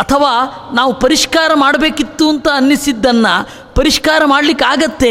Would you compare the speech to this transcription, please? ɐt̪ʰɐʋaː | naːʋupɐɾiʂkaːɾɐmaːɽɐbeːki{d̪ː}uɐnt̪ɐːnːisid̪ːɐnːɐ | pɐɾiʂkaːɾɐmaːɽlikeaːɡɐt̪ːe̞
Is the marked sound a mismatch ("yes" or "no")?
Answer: yes